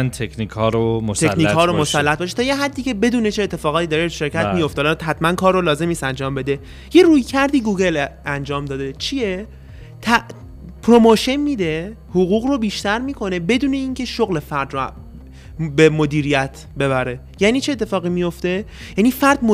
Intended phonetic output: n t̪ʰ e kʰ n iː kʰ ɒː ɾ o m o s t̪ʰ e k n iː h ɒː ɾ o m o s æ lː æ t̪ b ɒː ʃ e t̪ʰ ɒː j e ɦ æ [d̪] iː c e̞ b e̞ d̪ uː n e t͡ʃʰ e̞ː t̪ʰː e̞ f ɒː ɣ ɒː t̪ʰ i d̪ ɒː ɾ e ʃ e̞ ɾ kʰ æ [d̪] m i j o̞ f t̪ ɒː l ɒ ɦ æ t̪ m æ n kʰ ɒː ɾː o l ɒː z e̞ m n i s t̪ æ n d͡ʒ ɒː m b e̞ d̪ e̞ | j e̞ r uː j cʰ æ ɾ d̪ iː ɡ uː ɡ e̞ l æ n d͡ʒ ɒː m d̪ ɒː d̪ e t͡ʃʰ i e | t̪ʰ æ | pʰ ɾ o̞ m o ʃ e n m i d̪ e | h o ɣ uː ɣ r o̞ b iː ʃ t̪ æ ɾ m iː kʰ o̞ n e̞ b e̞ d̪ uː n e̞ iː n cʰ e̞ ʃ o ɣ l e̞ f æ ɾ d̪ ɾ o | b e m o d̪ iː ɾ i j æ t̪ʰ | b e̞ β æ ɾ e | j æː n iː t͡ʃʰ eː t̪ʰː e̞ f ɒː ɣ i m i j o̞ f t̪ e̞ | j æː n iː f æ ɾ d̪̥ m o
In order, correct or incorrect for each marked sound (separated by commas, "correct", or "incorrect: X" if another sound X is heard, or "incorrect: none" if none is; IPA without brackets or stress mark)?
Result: incorrect: d̪ː, incorrect: t̪